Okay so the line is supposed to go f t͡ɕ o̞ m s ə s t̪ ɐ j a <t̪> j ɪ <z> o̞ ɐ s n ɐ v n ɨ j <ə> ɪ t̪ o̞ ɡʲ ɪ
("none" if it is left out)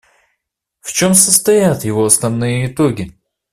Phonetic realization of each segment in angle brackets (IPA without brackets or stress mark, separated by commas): t̪, v, ə